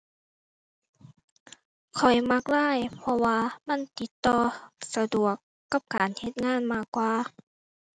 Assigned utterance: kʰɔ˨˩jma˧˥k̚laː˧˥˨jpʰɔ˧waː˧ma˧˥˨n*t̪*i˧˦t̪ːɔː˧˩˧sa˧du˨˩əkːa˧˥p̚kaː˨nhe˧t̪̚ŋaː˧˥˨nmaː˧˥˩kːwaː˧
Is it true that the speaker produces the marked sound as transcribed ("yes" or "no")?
yes